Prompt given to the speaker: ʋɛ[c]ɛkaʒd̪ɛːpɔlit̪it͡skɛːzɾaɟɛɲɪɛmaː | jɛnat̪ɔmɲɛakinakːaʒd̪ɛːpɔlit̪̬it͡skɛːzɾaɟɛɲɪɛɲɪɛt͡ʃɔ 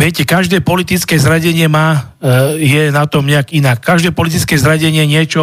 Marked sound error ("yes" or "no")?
no